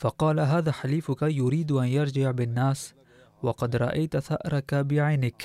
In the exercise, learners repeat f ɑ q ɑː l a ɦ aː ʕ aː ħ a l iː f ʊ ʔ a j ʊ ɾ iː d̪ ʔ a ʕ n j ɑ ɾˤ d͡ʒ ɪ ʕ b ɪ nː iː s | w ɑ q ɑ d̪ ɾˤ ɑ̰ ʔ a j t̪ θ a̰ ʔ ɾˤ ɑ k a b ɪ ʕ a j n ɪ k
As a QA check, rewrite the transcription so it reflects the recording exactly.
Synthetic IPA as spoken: f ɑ q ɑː l a ɦ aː ð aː ħ a l iː f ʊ k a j ʊ ɾ iː d̪ ʔ a n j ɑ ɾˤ d͡ʒ ɪ ʕ b ɪ nː aː s | w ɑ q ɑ d̪ ɾˤ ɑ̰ ʔ a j t̪ θ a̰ ʔ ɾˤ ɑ k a b ɪ ʕ a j n ɪ k